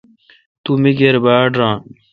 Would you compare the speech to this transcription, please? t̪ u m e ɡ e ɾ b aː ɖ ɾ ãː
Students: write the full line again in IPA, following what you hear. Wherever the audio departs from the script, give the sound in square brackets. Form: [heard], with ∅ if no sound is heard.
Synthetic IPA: t̪ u m [i] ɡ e ɾ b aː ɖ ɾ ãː